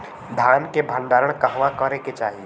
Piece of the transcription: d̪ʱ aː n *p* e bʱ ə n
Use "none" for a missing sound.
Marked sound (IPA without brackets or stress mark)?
k